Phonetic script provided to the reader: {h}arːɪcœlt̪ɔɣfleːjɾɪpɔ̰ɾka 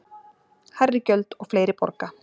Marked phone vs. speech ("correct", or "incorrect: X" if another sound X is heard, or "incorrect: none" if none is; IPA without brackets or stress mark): correct